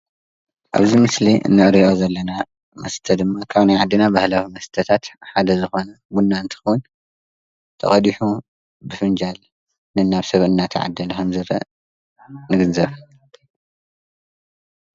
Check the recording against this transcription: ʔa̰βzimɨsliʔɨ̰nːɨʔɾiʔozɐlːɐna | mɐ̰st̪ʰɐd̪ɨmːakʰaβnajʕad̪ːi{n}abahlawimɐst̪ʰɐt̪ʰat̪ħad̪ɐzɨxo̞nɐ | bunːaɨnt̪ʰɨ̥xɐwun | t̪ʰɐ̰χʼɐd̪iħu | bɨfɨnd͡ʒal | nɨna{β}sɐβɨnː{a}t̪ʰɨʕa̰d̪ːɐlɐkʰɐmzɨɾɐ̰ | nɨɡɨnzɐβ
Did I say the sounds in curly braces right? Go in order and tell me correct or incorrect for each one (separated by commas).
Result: correct, correct, correct